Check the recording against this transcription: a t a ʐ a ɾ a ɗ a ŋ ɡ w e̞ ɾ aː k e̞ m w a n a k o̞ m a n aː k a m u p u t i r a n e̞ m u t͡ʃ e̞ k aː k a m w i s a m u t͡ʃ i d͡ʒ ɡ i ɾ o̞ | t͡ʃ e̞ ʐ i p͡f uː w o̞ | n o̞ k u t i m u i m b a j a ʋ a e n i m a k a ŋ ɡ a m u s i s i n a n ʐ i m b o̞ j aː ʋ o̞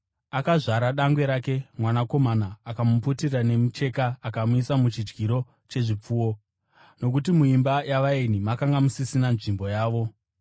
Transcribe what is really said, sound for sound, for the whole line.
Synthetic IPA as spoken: a k a ʐ a ɾ a ɗ a ŋ ɡ w e̞ ɾ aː k e̞ m w a n a k o̞ m a n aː k a m u p u t i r a n e̞ m u t͡ʃ e̞ k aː k a m u i s a m u t͡ʃ i d͡ʒ ɡ i ɾ o̞ | t͡ʃ e̞ ʐ i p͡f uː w o̞ | n o̞ k u t i m u i m b a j a ʋ a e n i m a k a ŋ ɡ a m u s i s i n a n ʐ i m b o̞ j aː ʋ o̞